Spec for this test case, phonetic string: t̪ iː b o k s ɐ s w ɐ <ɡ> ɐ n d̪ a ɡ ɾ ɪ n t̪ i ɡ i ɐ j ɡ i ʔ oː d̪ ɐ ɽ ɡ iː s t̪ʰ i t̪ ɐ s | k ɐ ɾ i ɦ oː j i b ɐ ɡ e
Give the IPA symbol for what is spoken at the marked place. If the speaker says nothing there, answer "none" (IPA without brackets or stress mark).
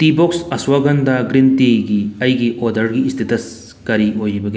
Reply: ɡ